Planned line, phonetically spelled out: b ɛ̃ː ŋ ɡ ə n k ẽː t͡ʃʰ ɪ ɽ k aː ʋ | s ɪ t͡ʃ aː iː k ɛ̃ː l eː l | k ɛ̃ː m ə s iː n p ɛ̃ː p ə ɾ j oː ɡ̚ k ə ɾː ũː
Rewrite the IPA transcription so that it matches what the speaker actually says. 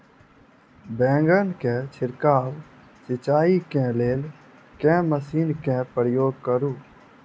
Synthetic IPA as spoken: b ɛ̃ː ŋ ɡ ə n k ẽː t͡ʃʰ ɪ ɾ k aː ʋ | s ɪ t͡ʃ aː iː k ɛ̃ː l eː l | k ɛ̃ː m ə s iː n k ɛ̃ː p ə ɾ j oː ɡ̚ k ə ɾ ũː